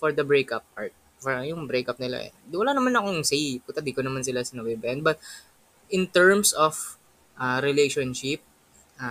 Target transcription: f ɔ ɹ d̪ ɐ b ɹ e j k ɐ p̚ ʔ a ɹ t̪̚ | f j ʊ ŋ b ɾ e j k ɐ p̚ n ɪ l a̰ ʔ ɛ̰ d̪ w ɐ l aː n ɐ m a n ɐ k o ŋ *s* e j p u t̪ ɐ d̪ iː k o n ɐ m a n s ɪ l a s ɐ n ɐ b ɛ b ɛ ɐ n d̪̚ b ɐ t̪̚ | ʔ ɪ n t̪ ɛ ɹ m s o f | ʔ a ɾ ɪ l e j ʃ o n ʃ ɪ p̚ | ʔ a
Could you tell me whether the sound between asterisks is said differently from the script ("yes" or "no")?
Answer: no